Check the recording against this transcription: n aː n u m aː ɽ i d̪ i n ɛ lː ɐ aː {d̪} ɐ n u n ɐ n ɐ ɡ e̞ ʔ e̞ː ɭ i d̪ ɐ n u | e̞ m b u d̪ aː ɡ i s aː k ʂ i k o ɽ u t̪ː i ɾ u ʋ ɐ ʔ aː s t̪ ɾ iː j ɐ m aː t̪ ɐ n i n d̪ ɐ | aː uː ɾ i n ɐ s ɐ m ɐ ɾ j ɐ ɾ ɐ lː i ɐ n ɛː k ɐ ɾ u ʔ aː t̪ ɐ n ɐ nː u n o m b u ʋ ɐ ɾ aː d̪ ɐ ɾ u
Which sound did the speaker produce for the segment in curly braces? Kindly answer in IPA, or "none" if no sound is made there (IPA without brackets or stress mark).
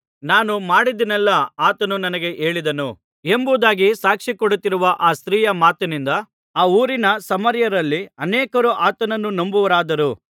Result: t̪